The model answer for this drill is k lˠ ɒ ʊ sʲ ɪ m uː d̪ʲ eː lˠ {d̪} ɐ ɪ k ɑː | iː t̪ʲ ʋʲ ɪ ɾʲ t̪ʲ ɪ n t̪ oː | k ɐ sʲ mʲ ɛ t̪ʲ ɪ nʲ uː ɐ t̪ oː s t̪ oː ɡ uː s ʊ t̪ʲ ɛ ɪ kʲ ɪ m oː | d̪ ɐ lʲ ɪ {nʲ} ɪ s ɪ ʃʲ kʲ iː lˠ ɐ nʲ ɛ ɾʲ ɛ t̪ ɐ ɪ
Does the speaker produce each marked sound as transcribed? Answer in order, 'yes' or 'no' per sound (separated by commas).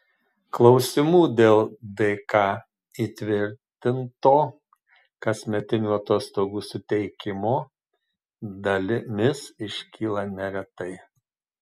yes, no